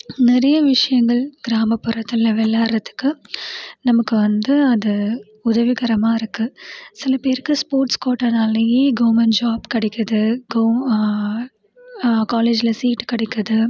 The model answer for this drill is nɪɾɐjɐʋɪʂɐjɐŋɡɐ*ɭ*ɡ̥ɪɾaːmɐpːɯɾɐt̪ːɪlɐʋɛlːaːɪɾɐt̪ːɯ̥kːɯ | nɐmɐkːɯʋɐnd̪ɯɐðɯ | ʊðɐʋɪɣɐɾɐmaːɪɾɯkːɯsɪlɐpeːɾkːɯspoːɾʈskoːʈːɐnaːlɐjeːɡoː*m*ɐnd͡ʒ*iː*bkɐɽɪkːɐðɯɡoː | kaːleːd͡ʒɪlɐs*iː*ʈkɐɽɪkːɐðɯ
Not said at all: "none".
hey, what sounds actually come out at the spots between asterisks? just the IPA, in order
ɭ, m, aː, iː

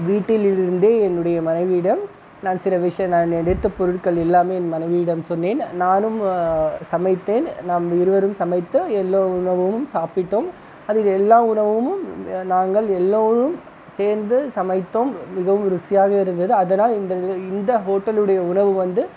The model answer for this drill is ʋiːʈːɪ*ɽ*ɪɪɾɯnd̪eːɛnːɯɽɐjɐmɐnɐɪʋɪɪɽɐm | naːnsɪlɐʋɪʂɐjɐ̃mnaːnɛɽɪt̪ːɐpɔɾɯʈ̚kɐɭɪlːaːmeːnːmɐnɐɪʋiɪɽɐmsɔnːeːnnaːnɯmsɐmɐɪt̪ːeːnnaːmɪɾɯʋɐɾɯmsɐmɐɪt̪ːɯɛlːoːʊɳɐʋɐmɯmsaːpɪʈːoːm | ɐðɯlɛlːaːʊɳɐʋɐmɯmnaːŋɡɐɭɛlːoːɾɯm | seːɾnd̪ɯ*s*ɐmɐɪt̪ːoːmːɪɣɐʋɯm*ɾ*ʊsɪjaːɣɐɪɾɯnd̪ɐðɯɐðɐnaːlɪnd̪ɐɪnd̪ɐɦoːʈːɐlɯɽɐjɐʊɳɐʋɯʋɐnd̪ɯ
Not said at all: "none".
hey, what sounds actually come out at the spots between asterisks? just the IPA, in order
l, s, ɾ

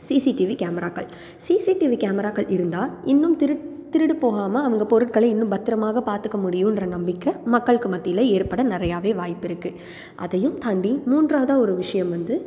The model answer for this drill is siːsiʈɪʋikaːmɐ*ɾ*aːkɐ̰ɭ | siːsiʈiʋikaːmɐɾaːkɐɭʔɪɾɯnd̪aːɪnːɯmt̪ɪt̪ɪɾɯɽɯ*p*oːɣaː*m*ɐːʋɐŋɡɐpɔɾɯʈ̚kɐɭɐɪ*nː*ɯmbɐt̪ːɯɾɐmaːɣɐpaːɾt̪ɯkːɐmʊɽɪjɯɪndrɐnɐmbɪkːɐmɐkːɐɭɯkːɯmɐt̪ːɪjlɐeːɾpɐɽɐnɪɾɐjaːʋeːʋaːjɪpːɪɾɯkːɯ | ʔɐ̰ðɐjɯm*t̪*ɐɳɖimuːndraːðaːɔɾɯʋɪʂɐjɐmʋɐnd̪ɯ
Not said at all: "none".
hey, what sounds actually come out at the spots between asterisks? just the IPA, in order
ɾ, p, m, nː, t̪

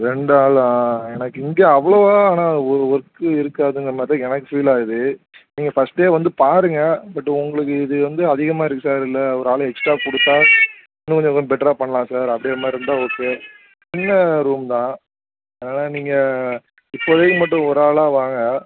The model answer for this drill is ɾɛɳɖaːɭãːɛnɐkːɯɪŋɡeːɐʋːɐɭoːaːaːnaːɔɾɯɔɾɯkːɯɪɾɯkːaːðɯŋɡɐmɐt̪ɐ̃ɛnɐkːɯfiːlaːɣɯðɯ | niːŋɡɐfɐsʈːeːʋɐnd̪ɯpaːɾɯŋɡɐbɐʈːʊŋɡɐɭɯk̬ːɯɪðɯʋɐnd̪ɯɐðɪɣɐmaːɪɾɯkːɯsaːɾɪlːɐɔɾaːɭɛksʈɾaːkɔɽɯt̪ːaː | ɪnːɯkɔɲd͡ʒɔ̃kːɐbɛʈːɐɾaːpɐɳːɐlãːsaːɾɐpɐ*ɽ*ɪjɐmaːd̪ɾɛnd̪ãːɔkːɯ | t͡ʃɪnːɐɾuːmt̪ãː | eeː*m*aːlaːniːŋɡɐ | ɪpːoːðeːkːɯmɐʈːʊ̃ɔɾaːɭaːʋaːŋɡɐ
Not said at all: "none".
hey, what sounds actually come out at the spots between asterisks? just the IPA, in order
ɽ, n

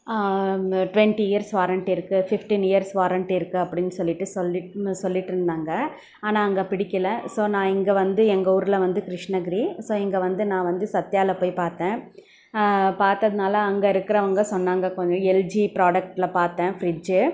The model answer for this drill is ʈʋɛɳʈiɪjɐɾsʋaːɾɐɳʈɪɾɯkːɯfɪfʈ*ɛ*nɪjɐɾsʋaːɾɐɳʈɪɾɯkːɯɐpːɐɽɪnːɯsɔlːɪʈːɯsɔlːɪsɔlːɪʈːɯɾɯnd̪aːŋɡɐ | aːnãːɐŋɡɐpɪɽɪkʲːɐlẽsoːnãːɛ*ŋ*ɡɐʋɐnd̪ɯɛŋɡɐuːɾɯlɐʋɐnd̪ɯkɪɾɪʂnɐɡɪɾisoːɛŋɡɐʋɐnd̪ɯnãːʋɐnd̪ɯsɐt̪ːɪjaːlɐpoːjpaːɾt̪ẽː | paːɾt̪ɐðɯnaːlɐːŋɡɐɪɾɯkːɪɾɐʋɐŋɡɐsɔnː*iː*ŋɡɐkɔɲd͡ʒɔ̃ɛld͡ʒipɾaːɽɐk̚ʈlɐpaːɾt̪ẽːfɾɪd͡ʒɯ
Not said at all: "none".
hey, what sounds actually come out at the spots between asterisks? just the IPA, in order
i, ŋ, aː

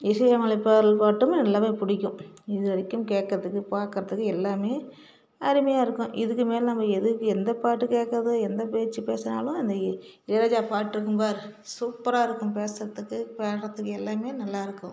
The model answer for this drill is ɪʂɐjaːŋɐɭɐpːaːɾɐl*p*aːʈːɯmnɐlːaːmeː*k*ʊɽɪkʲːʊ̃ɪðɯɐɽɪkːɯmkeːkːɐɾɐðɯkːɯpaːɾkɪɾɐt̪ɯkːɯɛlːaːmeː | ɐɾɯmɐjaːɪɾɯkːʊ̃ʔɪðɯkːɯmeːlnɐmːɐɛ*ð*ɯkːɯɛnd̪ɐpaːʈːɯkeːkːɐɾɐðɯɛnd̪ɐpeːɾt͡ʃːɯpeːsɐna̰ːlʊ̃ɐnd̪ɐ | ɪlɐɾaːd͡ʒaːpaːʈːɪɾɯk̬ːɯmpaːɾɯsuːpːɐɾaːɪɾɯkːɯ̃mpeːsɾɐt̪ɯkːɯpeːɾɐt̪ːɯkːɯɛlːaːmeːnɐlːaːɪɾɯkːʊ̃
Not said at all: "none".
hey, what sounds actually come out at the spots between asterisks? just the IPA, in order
p, p, ð

